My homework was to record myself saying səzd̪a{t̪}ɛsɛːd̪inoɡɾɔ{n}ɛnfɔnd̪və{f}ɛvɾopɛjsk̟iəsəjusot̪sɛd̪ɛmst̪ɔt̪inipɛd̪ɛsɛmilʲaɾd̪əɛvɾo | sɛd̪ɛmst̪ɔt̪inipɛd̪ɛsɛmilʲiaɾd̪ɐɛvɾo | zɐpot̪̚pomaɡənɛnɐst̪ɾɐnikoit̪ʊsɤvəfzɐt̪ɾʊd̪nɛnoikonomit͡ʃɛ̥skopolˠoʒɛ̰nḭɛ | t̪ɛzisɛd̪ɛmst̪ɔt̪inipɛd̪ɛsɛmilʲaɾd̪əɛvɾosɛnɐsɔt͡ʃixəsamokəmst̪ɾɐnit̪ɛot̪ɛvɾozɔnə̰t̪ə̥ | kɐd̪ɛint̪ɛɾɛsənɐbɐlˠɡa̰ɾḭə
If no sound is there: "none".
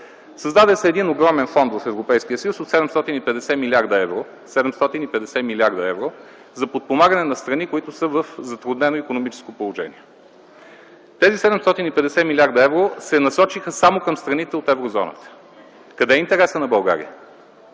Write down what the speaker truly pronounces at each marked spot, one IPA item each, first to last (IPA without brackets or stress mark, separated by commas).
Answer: d̪, m, f